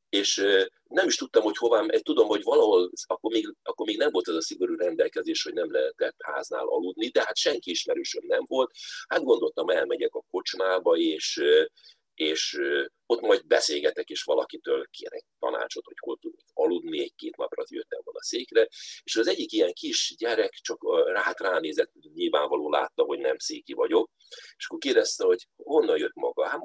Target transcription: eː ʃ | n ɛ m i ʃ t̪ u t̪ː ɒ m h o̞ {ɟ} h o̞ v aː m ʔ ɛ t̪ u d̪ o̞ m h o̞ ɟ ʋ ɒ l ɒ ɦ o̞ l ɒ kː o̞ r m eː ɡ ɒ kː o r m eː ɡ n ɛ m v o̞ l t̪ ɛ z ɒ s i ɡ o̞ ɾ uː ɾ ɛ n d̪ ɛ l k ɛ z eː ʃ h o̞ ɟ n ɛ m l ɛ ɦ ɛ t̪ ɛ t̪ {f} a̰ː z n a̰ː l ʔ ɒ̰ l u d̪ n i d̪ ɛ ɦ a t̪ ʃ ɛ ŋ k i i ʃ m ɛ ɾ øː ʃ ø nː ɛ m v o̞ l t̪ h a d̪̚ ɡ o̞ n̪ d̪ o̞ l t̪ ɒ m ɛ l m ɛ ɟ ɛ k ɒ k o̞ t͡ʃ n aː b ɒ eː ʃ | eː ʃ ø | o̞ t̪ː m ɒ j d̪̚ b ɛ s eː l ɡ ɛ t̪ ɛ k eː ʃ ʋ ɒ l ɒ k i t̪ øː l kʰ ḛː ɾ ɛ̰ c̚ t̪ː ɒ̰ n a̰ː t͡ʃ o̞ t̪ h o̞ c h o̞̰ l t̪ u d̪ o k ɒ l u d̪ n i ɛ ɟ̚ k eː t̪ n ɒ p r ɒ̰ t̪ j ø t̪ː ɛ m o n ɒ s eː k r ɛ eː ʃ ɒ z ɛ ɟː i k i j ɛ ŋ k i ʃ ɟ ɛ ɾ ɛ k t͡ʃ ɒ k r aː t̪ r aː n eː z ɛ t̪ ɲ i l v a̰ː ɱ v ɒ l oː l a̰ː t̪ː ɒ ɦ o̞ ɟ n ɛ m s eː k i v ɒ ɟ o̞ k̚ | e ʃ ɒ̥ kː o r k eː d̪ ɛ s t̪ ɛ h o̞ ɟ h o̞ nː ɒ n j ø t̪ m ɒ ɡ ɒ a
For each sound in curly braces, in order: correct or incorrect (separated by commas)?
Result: incorrect, incorrect